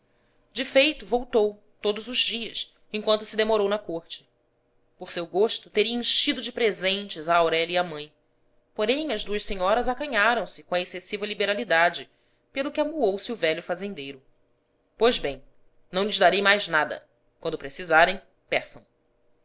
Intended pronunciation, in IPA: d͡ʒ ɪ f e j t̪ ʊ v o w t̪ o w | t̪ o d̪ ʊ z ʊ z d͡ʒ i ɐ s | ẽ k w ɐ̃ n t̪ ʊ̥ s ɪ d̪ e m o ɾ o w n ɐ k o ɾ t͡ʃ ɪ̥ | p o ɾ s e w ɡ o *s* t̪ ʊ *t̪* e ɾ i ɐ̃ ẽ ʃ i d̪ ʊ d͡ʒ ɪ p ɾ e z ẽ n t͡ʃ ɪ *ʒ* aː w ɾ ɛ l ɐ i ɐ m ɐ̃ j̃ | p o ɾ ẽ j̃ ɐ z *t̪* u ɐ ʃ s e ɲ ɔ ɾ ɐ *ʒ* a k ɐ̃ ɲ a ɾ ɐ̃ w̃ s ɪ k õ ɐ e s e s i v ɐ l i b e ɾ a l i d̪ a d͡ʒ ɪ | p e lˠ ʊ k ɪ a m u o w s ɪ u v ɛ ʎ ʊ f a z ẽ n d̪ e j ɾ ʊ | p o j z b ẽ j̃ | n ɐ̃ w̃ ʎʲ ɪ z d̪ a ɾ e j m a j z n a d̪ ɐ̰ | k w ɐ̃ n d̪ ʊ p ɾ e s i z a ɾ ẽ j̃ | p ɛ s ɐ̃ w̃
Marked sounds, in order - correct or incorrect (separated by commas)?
incorrect, correct, incorrect, incorrect, incorrect